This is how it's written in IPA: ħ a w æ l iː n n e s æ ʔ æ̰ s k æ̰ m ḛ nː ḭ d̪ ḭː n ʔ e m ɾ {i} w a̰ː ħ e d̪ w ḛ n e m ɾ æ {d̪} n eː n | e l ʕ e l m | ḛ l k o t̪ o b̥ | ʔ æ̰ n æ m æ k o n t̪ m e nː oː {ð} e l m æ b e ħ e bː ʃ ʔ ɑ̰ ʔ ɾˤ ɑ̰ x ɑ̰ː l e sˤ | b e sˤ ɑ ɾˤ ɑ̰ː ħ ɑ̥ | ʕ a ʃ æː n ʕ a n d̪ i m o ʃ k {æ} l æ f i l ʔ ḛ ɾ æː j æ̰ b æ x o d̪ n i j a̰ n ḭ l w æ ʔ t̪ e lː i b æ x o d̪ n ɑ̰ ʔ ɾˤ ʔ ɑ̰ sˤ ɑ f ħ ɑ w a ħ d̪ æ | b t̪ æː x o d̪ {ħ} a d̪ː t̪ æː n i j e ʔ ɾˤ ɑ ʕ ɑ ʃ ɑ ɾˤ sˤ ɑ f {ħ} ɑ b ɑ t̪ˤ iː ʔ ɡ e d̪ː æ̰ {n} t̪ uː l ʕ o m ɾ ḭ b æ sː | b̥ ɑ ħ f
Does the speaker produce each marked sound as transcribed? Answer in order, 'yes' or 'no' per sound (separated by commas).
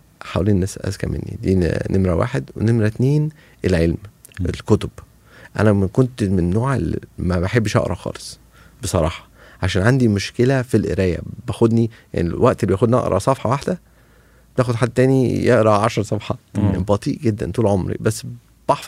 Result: no, no, no, no, yes, yes, yes